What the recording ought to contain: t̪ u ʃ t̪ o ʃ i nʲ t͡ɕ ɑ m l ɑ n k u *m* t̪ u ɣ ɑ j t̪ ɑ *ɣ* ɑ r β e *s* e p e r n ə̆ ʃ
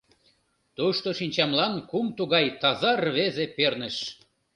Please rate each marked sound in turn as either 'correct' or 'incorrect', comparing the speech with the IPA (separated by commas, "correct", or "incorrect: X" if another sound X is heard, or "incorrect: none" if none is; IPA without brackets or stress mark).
correct, incorrect: z, incorrect: z